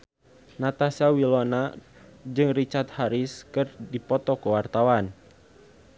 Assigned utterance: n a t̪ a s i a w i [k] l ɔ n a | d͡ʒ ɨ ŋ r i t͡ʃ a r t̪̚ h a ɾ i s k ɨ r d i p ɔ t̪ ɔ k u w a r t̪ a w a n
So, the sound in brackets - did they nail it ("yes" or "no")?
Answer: no